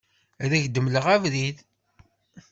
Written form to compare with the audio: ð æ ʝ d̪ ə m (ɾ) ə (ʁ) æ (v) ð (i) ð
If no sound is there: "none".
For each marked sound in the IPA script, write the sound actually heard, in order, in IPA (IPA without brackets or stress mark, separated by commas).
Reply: l, ʁ, v, i